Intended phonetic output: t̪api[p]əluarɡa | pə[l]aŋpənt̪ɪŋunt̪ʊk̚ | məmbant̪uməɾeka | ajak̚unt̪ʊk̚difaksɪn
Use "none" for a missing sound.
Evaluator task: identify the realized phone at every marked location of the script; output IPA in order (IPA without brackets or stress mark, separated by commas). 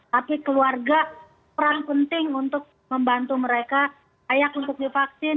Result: k, ɾ